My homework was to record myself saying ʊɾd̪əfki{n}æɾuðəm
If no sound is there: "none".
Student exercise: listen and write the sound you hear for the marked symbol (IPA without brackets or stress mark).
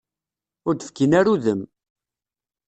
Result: n